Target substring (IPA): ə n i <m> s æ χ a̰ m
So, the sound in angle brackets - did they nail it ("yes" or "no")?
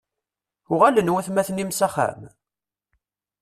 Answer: yes